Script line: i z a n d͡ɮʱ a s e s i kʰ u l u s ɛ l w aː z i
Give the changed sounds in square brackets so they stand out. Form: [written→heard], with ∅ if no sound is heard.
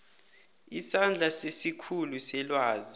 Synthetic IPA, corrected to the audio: i [z→s] a n d͡ɮʱ a s e s i kʰ u l u s ɛ l w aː z i